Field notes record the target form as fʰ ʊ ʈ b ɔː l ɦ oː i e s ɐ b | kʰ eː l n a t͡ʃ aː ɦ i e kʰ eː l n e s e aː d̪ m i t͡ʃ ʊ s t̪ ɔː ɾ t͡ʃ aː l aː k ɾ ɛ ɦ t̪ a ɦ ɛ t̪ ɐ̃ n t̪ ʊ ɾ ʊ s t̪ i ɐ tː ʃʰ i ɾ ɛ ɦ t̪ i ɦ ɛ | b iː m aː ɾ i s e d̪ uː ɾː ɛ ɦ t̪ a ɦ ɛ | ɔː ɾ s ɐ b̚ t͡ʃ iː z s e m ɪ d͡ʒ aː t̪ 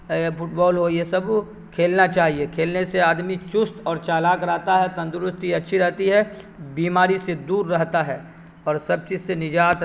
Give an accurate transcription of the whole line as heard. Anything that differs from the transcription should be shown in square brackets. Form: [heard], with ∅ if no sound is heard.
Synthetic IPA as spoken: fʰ ʊ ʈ b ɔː l ɦ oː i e s ɐ b | kʰ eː l n a t͡ʃ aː ɦ i e kʰ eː l n e s e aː d̪ m i t͡ʃ ʊ s t̪ ɔː ɾ t͡ʃ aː l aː k ɾ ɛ ɦ t̪ a ɦ ɛ t̪ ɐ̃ n [d̪] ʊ ɾ ʊ s t̪ i ɐ tː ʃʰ i ɾ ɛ ɦ t̪ i ɦ ɛ | b iː m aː ɾ i s e d̪ uː ɾː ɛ ɦ t̪ a ɦ ɛ | ɔː ɾ s ɐ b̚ t͡ʃ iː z s e [n] ɪ d͡ʒ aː t̪